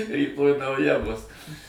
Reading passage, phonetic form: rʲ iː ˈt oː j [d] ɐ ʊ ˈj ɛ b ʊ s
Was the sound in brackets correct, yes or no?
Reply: no